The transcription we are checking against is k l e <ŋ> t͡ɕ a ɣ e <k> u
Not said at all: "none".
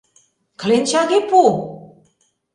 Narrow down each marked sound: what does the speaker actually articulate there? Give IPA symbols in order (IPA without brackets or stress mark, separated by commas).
n, p